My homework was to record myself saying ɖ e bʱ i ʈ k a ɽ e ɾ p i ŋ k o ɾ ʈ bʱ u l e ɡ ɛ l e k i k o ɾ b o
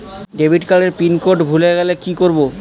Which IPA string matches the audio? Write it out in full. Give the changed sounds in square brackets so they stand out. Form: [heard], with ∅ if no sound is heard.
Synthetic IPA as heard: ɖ e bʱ i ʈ k a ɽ e ɾ p i [n] k o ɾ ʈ bʱ u l e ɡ ɛ l e k i k o ɾ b o